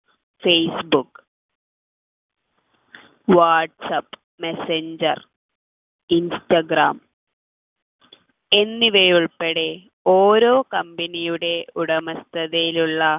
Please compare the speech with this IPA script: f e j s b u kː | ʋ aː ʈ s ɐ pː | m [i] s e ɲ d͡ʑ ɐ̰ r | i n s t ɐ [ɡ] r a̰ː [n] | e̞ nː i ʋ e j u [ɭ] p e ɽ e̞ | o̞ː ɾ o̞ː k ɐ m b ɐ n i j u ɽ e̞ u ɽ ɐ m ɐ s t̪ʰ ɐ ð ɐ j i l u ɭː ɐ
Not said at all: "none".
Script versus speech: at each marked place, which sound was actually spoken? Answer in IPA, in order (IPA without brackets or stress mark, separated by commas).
e, ɡ, m, ɭ